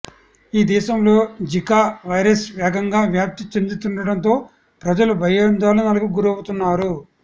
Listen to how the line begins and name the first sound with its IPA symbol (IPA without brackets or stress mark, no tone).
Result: iː